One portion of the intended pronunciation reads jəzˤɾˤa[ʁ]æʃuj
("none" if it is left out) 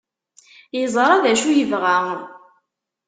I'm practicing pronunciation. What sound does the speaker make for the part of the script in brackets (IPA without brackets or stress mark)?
ð